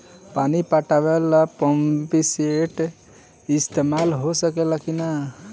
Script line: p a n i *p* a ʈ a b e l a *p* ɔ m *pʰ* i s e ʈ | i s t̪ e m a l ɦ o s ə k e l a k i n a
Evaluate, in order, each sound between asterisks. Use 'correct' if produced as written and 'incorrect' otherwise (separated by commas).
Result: correct, correct, incorrect